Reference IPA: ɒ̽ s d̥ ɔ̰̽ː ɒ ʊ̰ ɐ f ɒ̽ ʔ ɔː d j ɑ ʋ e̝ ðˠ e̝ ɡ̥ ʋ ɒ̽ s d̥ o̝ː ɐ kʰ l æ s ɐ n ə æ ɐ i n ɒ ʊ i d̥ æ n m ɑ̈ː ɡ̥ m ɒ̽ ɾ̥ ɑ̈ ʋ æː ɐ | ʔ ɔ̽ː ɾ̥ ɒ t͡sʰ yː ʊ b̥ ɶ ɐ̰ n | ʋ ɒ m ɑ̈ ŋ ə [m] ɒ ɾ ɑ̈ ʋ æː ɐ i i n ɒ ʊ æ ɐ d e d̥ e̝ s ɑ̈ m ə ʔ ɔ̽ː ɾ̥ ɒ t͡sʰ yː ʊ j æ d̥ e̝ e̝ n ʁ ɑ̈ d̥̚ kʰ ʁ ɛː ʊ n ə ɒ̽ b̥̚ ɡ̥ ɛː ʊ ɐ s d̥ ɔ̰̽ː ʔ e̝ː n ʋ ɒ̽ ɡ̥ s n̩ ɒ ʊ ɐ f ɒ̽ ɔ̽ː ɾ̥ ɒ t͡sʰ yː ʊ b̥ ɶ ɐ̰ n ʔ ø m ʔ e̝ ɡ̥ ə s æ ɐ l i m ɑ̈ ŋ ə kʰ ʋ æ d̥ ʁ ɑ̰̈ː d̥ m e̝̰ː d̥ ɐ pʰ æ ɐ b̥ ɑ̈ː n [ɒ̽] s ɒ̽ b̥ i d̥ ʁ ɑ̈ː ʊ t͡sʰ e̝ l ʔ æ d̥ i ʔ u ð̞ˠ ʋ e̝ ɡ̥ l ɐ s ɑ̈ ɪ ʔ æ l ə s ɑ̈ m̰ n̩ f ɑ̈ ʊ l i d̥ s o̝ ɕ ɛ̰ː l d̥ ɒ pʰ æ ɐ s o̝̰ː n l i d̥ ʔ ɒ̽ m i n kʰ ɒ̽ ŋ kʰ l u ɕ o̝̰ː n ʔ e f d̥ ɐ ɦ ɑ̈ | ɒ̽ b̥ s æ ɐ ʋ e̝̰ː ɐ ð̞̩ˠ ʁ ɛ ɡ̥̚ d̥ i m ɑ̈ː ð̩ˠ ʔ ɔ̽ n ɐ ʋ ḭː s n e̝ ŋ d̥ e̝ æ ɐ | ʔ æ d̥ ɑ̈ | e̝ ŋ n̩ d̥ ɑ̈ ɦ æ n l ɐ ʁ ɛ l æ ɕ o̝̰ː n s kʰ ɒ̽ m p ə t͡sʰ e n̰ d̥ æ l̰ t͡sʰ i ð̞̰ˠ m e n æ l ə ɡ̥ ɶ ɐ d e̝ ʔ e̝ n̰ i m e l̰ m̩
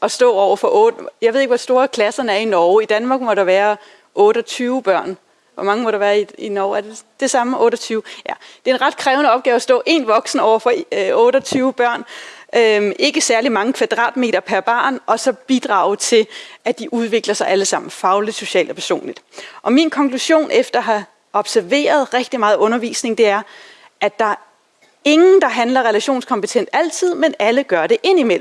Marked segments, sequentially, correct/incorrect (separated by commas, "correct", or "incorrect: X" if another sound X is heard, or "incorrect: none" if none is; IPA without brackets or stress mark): correct, correct